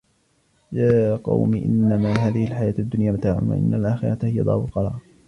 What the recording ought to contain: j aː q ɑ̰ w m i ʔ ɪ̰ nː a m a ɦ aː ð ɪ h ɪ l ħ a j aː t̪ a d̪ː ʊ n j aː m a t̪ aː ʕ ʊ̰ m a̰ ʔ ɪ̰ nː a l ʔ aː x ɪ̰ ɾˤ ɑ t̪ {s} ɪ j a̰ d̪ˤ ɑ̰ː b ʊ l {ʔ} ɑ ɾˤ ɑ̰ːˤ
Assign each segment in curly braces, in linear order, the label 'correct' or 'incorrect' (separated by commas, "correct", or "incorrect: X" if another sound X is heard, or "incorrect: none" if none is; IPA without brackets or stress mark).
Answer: incorrect: h, incorrect: q